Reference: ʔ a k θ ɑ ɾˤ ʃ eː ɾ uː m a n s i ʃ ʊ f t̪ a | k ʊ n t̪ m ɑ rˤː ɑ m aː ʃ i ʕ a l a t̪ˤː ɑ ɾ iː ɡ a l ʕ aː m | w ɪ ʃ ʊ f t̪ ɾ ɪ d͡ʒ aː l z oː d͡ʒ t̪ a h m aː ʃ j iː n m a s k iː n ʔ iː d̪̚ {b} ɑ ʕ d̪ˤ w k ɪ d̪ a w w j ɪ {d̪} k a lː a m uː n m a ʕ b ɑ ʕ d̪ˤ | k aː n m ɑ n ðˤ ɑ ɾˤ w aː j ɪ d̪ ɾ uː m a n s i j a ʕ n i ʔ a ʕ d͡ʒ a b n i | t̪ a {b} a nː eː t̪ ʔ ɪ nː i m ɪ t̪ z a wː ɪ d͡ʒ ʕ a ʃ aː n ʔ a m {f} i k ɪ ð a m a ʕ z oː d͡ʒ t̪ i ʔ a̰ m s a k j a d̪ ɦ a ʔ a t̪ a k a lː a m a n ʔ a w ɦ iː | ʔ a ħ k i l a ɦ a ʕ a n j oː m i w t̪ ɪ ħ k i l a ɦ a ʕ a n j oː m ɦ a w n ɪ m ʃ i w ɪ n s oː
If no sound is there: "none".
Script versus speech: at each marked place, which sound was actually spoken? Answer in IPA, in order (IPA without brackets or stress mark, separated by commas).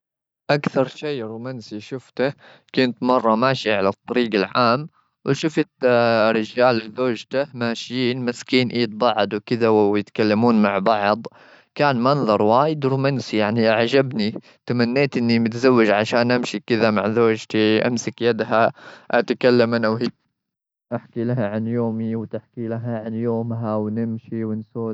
b, t̪, m, ʃ